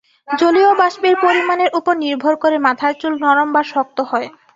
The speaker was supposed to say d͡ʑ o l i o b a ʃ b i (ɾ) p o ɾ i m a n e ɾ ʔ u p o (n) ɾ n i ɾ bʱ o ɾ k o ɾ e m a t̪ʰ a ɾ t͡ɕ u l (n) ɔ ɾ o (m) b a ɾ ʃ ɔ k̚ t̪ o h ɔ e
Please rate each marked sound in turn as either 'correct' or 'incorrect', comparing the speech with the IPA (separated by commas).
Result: correct, incorrect, correct, correct